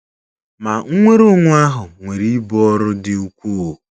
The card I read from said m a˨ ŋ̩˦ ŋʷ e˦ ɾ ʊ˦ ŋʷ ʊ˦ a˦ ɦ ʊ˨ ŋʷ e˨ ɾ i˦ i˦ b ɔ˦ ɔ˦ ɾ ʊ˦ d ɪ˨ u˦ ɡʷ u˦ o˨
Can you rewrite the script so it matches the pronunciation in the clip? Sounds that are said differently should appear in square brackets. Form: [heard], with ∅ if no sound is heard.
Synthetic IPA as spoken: m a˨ ŋ̩˦ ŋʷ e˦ ɾ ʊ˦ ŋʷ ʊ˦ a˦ ɦ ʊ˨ ŋʷ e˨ ɾ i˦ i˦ b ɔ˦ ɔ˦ ɾ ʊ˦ d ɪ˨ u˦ [kʷ] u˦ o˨